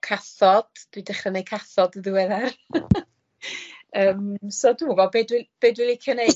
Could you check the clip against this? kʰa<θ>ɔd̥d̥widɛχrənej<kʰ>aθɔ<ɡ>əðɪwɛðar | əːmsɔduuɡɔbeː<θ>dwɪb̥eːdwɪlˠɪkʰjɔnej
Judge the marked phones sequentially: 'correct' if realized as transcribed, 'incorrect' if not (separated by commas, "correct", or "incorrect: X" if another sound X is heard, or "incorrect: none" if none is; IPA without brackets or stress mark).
correct, correct, incorrect: d, incorrect: none